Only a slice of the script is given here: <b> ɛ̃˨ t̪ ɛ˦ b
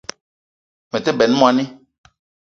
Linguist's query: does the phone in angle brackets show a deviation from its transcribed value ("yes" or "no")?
yes